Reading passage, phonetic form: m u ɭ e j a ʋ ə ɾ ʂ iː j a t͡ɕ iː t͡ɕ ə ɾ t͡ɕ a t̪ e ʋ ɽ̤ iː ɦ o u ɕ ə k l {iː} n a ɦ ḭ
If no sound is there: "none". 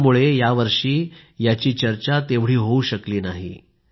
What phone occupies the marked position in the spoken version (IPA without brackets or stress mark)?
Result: iː